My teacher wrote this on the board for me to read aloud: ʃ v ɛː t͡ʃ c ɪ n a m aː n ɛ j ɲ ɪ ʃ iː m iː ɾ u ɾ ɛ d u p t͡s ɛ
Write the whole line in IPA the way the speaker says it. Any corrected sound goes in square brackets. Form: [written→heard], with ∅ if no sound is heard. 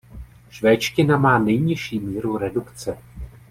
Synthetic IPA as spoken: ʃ v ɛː t͡ʃ c ɪ n a m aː n ɛ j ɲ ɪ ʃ iː m iː ɾ u ɾ ɛ d u [p→k] t͡s ɛ